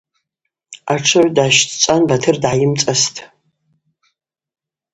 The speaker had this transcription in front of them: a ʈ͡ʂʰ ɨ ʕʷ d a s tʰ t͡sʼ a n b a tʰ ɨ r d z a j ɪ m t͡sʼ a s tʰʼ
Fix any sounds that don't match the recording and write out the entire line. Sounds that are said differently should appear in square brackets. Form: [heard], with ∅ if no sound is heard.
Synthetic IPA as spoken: a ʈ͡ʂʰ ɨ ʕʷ d a [ʃ] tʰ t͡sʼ a n b a tʰ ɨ r d [ʕ] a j ɪ m t͡sʼ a s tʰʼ